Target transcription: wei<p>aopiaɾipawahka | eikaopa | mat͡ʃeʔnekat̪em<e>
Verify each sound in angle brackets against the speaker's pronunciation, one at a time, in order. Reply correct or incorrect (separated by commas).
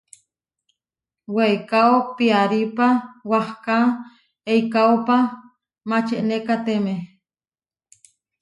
incorrect, correct